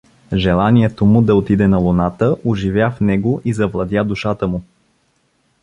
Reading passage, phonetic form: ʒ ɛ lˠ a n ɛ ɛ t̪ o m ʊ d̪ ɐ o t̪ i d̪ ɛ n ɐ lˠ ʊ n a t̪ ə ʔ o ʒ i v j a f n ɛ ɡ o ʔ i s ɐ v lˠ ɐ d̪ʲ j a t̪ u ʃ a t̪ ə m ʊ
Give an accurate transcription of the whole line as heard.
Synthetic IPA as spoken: ʒ ɛ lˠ a n i ɛ t̪ o m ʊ d̪ ɐ o t̪ i d̪ ɛ n ɐ lˠ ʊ n a t̪ ə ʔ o ʒ i v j a f n ɛ ɡ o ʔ i z ɐ v lˠ ɐ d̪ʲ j a d̪ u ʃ a t̪ ə m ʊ